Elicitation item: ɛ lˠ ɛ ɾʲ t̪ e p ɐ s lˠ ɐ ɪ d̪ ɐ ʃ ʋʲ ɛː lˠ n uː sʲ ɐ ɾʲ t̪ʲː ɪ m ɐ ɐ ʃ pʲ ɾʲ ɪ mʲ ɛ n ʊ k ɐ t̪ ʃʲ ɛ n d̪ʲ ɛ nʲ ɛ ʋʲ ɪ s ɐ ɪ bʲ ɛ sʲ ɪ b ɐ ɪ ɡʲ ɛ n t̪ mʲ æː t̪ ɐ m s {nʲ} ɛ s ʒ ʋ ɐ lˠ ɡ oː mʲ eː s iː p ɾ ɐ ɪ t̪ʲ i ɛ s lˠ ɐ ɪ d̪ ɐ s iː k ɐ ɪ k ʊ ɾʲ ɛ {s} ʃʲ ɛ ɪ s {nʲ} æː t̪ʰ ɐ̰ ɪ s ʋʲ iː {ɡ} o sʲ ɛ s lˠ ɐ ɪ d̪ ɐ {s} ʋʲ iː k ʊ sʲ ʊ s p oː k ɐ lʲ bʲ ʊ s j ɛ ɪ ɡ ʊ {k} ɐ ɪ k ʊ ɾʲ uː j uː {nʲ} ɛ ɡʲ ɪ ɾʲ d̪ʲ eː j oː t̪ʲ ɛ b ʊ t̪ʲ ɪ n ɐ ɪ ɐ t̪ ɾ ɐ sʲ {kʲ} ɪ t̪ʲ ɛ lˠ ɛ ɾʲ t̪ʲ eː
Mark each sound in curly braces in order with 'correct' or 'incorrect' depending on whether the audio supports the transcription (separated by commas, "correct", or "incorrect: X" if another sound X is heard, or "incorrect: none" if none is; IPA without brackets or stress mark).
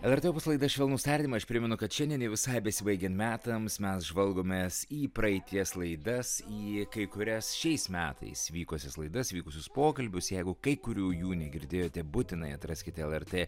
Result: incorrect: mʲ, correct, incorrect: mʲ, incorrect: k, correct, correct, correct, correct